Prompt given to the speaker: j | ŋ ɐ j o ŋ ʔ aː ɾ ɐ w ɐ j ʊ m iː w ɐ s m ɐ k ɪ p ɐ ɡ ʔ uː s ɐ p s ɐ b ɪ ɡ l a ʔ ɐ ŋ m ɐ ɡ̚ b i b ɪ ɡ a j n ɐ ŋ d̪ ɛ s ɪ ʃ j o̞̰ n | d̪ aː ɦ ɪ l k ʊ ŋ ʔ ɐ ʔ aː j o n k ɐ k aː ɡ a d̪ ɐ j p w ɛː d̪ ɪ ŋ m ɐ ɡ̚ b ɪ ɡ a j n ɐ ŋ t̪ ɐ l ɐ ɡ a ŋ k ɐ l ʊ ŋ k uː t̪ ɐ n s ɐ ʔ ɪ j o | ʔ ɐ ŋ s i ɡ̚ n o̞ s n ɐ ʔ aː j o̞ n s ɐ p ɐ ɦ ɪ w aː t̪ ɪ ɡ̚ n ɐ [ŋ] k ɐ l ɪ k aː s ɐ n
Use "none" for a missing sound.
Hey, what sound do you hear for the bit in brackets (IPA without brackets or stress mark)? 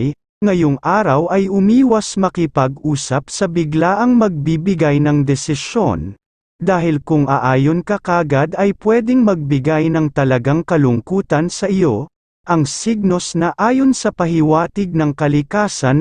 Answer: ŋ